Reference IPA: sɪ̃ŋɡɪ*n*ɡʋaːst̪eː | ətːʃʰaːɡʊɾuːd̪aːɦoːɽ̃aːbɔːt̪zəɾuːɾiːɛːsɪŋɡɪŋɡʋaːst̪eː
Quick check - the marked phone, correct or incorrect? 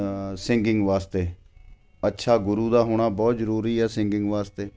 incorrect